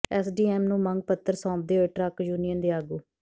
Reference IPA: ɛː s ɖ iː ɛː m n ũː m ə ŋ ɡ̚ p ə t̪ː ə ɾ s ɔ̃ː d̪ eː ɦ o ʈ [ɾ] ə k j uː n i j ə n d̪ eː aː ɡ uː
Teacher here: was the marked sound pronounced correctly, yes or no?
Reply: yes